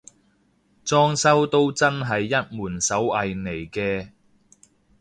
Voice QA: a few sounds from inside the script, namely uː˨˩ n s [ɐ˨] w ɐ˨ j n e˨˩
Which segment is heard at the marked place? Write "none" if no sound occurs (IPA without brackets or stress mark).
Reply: ɐ˨˥